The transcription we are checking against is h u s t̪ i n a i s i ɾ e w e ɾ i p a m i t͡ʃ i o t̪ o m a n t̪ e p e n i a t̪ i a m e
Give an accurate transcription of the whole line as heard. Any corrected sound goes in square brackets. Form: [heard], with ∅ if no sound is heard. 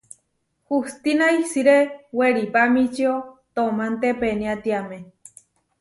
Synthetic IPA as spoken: h u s t̪ i n a i s i ɾ e w e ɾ i p a m i t͡ʃ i o t̪ o m a n t̪ e p e n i a t̪ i a m e